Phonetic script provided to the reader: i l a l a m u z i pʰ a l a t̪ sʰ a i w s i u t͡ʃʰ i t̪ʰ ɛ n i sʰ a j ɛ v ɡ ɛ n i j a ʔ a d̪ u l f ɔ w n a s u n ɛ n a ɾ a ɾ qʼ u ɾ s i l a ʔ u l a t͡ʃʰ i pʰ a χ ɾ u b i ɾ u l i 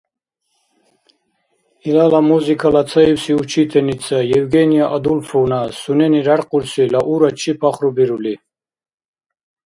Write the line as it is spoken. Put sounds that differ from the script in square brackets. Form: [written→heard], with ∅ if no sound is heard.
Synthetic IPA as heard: i l a l a m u z i [pʰ→kʰ] a l a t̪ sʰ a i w s i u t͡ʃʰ i t̪ʰ ɛ n i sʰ a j ɛ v ɡ ɛ n i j a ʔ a d̪ u l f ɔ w n a s u n ɛ n [a→i] ɾ a ɾ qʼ u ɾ s i l a ʔ u [l→ɾ] a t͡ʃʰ i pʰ a χ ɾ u b i ɾ u l i